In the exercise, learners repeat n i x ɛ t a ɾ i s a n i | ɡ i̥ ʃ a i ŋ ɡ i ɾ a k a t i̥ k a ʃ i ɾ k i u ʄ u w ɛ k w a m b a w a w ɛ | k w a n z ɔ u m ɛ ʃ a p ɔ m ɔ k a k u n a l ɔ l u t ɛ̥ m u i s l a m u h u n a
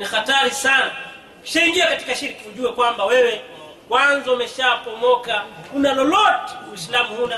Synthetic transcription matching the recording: n i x a t a ɾ i s a n a | k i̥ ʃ a i ŋ ɡ i a k a t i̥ k a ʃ i ɾ k i u ʄ u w ɛ k w a m b a w ɛ w ɛ | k w a n z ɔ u m ɛ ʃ a p ɔ m ɔ k a k u n a l ɔ l ɔ t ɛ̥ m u i s l a m u h u n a